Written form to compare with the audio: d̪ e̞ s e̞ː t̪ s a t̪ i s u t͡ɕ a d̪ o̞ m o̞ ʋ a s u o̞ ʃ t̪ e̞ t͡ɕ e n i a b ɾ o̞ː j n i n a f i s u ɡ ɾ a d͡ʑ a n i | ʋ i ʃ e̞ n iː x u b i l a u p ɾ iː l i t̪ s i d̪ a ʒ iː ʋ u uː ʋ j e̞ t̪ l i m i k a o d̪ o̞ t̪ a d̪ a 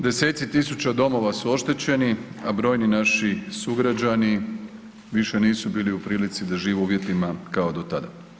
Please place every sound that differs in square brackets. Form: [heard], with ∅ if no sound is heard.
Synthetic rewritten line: d̪ e̞ s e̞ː t̪ s [i] t̪ i s u t͡ɕ a d̪ o̞ m o̞ ʋ a s u o̞ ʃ t̪ e̞ t͡ɕ e n i a b ɾ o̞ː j n i n a [ʃ] i s u ɡ ɾ a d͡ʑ a n i | ʋ i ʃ e̞ n iː [s] u b [iː] l [i] u p ɾ iː l i t̪ s i d̪ a ʒ iː ʋ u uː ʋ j e̞ t̪ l i m [a] k a o d̪ o̞ t̪ a d̪ a